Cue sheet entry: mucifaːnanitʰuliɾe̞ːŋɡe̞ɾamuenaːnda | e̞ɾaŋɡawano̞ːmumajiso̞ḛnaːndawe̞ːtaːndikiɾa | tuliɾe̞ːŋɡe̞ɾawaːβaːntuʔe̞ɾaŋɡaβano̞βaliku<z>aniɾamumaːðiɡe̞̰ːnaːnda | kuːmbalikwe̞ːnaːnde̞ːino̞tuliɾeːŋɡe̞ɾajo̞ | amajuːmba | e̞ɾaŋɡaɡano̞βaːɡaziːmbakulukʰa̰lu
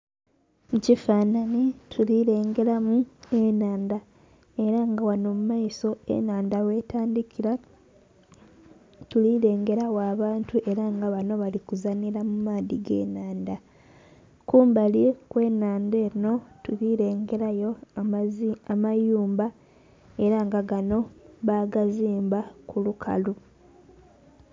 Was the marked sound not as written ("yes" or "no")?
no